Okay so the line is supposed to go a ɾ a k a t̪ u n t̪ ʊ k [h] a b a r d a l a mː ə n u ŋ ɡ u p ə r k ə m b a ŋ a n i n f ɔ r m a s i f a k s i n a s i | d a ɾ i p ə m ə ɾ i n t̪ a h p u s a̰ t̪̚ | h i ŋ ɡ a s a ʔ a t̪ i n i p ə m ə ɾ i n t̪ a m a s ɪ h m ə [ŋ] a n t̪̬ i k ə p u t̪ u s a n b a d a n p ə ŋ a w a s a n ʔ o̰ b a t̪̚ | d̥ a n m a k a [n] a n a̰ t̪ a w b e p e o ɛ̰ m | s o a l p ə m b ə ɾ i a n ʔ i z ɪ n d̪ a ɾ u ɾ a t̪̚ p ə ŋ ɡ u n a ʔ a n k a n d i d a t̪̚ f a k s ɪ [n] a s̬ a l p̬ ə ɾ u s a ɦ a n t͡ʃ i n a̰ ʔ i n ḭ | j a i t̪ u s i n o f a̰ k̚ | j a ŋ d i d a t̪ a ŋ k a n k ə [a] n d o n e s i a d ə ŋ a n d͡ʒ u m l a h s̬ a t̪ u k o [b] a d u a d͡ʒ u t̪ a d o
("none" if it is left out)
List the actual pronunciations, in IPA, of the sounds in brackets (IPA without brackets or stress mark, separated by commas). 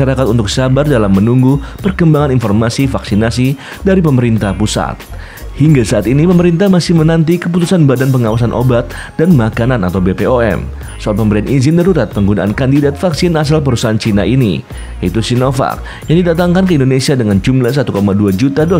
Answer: s, n, n, n, i, m